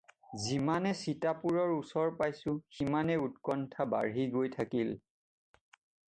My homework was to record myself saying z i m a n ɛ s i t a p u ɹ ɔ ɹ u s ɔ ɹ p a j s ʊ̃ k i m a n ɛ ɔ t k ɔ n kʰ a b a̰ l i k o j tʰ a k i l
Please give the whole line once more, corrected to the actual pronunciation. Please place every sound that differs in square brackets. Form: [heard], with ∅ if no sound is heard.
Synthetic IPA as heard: z i m a n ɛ s i t a p u ɹ ɔ ɹ u s ɔ ɹ p a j s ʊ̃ [x] i m a n ɛ [u] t k ɔ n [tʰ] a b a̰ [ɹ] i [ɡ] o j tʰ a k i l